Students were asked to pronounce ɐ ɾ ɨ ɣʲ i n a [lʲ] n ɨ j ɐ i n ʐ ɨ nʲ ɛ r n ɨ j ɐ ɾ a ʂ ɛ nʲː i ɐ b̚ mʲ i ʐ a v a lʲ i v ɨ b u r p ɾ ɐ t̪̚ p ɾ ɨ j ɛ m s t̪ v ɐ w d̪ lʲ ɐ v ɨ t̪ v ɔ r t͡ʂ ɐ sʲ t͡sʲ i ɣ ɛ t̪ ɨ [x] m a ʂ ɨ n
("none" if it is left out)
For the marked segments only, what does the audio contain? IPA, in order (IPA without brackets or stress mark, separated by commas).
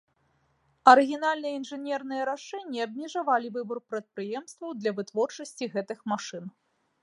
lʲ, x